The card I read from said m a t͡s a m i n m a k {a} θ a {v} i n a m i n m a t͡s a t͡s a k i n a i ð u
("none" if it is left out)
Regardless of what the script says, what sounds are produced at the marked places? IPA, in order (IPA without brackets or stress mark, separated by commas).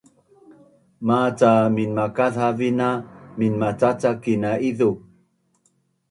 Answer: a, v